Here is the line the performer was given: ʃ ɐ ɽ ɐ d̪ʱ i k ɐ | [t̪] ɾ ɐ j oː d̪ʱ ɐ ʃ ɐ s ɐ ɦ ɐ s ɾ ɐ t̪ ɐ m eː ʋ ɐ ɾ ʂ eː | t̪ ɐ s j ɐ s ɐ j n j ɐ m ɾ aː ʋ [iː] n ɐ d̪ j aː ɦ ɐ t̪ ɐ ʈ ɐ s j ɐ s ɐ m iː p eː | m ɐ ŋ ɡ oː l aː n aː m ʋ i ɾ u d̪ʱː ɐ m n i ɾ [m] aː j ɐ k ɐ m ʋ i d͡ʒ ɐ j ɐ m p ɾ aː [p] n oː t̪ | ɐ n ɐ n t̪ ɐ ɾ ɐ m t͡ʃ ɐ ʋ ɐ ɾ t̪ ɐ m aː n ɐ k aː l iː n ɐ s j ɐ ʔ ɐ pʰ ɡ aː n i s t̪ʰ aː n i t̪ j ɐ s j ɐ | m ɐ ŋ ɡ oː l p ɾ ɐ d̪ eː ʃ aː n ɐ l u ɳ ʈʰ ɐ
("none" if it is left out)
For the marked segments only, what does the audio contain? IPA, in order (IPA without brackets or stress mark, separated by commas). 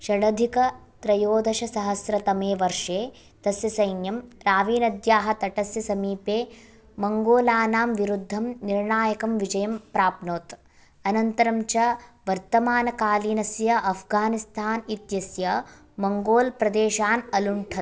t̪, iː, ɳ, p